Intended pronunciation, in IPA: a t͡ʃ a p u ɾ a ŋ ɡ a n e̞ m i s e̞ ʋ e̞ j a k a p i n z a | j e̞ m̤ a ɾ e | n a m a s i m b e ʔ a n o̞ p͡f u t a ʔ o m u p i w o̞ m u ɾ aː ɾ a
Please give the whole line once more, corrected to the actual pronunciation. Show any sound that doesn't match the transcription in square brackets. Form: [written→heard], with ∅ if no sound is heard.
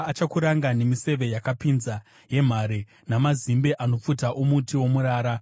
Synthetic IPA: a t͡ʃ a [p→k] u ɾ a ŋ ɡ a n e̞ m i s e̞ ʋ e̞ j a k a p i n z a | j e̞ m̤ a ɾ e | n a m a [s→z] i m b e ʔ a n o̞ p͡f u t a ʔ o m u [p→t] i w o̞ m u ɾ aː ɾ a